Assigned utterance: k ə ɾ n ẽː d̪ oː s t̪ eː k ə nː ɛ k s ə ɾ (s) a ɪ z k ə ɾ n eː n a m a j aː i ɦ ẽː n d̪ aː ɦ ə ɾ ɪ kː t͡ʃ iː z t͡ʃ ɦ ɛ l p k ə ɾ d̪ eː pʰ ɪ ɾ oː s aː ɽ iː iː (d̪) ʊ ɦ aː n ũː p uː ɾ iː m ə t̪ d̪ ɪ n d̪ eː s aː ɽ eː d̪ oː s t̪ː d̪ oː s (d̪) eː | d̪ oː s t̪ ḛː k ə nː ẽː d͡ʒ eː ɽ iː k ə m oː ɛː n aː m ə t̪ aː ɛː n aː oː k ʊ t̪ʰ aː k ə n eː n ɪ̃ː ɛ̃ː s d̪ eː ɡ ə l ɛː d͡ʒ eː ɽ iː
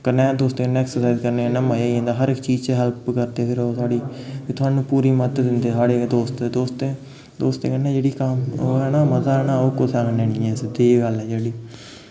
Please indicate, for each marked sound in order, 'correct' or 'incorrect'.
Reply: correct, incorrect: t̪, incorrect: t̪

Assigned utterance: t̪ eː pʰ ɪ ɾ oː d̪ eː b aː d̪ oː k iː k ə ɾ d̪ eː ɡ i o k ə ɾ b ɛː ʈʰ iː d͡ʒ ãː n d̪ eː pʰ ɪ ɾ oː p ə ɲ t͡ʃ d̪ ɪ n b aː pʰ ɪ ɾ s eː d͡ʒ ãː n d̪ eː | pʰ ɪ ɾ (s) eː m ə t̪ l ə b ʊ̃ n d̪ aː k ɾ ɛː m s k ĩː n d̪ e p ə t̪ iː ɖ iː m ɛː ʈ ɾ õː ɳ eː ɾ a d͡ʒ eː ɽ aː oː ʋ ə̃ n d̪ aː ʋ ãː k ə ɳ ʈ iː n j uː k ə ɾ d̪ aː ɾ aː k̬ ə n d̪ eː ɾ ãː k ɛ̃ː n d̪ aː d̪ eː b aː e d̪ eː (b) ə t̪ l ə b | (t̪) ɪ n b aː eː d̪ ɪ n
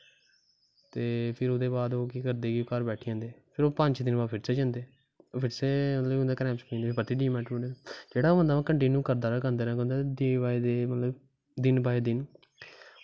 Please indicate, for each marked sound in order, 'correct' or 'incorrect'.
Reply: correct, incorrect: m, incorrect: d̪

